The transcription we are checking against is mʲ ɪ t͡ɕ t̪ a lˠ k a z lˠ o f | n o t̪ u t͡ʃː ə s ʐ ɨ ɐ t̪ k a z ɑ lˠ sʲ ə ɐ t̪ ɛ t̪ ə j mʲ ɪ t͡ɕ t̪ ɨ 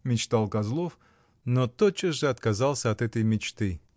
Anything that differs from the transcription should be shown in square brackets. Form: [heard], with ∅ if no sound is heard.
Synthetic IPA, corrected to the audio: mʲ ɪ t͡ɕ t̪ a lˠ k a z lˠ o f | n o t̪ [o] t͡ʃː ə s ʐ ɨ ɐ t̪ k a z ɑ lˠ sʲ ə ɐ t̪ ɛ t̪ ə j mʲ ɪ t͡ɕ t̪ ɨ